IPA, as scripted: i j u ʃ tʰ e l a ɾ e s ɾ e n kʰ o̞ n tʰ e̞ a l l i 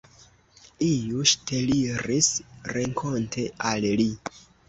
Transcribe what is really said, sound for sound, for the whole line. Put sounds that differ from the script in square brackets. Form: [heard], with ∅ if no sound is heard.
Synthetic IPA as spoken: i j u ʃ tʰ e l [i] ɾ [i] s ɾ e [ŋ] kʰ o̞ n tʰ e̞ a l l i